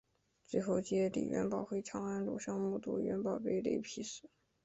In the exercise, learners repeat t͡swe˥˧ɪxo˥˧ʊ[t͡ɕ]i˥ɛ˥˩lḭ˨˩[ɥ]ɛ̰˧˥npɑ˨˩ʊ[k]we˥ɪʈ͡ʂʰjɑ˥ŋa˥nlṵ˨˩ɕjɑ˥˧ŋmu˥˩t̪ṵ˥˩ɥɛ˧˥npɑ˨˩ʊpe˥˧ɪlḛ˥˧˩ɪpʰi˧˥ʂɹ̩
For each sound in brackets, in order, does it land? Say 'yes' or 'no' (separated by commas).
yes, yes, no